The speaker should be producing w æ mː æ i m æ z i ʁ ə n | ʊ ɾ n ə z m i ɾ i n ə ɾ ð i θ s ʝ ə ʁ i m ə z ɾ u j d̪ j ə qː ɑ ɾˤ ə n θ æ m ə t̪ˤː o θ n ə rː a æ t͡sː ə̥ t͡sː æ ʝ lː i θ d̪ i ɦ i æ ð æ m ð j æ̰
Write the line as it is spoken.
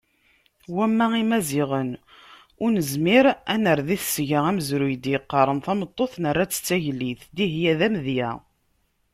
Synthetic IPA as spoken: w æ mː æ i m æ z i ʁ ə n | ʊ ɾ n ə z m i ɾ æ n ə ɾ ð i θ s ʝ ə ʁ æ m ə z ɾ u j d̪ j ə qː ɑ ɾˤ ə n θ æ m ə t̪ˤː o θ n ə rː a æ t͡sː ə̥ t͡sː æ ʝ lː i θ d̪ i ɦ j æ ð æ m ð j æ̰